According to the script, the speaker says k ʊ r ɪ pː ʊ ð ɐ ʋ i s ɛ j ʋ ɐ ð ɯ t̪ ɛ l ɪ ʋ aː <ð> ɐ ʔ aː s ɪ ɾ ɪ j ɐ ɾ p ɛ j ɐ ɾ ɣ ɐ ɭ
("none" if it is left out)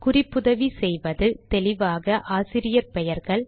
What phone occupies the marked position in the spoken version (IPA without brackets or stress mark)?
ɣ